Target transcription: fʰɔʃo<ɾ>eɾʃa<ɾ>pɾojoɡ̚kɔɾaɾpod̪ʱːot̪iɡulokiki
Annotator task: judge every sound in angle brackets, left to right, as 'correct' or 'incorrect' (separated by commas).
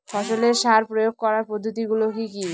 incorrect, correct